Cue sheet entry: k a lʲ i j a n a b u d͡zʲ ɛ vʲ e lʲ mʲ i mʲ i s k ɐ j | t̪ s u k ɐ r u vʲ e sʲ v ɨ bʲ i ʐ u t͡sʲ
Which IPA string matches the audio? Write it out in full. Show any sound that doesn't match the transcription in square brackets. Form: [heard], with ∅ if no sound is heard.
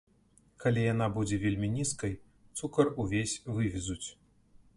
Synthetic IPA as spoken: k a lʲ i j a n a b u d͡zʲ ɛ vʲ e lʲ mʲ i [nʲ] i s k ɐ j | t̪ s u k ɐ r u vʲ e sʲ v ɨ [vʲ] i [z] u t͡sʲ